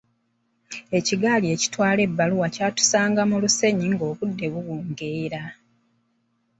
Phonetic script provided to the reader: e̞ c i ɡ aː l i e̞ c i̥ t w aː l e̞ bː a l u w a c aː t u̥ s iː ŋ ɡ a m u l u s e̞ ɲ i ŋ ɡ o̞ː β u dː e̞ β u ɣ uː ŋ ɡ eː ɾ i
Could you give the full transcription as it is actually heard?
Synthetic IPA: e̞ c i ɡ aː l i e̞ c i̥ t w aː l e̞ bː a l u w a c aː t u̥ s aː ŋ ɡ a m u l u s e̞ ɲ i ŋ ɡ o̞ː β u dː e̞ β u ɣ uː ŋ ɡ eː ɾ a